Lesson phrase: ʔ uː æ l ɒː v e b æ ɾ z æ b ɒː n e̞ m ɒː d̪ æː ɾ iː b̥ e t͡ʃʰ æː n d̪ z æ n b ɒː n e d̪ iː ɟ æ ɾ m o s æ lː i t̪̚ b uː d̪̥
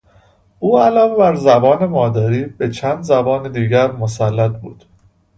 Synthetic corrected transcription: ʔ uː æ l ɒː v e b æ ɾ z æ b ɒː n e̞ m ɒː d̪ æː ɾ iː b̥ e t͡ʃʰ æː n d̪ z æ b ɒː n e d̪ iː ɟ æ ɾ m o s æ lː æ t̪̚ b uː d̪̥